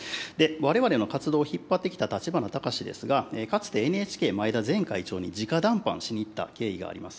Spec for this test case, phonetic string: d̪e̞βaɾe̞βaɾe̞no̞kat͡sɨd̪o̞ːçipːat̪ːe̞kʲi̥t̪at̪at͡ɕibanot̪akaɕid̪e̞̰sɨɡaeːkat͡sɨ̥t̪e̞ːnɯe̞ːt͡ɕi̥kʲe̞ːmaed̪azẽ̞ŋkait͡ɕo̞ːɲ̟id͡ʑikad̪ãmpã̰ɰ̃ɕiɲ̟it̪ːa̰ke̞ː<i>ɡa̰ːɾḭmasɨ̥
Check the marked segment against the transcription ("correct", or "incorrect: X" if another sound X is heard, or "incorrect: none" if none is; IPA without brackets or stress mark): correct